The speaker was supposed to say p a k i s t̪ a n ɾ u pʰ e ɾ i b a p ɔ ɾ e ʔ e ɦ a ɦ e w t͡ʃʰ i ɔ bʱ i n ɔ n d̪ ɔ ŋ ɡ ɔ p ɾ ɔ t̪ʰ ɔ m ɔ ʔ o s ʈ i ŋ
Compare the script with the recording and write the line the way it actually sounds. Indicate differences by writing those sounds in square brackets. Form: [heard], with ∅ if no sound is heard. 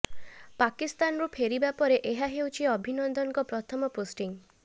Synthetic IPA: p a k i s t̪ a n ɾ u pʰ e ɾ i b a p ɔ ɾ e ʔ e ɦ a ɦ e w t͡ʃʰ i ɔ bʱ i n ɔ n d̪ ɔ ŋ [k] ɔ p ɾ ɔ t̪ʰ ɔ m ɔ [p] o s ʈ i ŋ